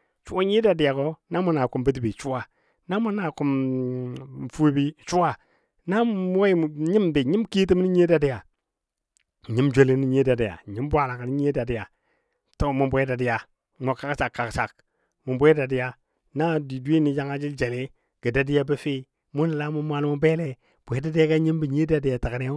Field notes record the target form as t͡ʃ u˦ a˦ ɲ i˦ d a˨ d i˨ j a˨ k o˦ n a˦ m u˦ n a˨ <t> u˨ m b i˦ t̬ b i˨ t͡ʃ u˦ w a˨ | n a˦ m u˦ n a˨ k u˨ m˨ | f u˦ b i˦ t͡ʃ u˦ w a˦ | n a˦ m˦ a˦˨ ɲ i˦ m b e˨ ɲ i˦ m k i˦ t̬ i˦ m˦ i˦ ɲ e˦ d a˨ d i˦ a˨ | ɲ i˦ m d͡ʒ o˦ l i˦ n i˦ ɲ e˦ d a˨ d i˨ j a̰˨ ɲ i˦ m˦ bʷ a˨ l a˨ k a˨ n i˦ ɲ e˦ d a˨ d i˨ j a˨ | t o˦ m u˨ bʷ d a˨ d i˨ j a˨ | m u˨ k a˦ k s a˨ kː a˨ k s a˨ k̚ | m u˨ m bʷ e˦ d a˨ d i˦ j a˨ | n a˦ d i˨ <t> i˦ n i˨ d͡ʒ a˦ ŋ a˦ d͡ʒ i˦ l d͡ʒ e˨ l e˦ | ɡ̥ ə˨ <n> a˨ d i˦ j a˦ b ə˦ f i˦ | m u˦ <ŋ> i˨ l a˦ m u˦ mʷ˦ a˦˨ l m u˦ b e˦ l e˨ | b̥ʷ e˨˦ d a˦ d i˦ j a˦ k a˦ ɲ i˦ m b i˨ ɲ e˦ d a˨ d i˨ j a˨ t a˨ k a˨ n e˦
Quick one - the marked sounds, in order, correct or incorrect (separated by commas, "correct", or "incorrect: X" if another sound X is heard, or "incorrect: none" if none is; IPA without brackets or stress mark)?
incorrect: k, incorrect: d, incorrect: d, incorrect: n